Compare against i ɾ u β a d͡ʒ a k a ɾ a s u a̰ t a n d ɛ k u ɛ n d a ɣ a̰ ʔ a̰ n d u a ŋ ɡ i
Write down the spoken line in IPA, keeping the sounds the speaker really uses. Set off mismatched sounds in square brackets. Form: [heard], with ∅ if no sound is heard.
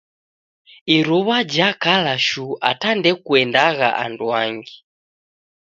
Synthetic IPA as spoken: i ɾ u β a d͡ʒ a k a [l] a [ʃ] u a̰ t a n d ɛ k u ɛ n d a ɣ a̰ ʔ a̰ n d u a ŋ ɡ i